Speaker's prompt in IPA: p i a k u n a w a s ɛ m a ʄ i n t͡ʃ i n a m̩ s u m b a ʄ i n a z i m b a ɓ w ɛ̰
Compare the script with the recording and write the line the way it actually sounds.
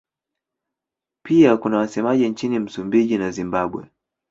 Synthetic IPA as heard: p i a k u n a w a s ɛ m a ʄ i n t͡ʃ i n i m̩ s u m b i ʄ i n a z i m b a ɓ w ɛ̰